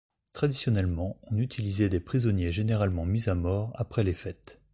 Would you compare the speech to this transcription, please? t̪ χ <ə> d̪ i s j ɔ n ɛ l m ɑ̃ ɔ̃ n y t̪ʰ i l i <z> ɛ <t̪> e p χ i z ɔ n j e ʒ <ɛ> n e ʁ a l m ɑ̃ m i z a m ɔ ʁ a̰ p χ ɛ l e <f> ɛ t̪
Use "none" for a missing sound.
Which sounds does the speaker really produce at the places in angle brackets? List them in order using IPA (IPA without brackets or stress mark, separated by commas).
a, z, d̪, e, f